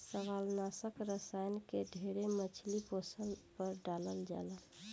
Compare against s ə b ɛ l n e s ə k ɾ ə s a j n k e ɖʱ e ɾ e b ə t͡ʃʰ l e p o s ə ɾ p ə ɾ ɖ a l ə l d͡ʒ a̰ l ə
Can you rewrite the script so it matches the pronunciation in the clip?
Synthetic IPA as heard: s ə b a l n a s ə k ɾ ə s a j n k e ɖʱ e ɾ e m ə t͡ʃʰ l i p o s ə l p ə ɾ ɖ a l ə l d͡ʒ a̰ l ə